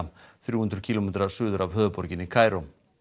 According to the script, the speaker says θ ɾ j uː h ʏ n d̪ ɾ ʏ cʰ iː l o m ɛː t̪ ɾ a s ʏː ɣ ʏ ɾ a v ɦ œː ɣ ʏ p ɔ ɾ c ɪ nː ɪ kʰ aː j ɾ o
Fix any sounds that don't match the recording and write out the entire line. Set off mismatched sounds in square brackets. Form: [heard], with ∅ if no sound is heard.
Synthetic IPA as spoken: θ ɾ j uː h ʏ n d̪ ɾ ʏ cʰ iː l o m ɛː t̪ ɾ a s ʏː [ð] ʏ ɾ a v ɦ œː [ð] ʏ p ɔ ɾ c ɪ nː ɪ kʰ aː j ɾ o